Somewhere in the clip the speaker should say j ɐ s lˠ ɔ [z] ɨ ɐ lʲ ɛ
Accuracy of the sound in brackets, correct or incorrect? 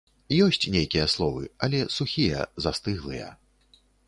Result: incorrect